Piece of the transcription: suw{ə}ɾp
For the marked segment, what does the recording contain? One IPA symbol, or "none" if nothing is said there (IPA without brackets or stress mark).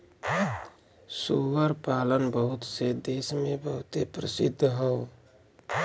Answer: ə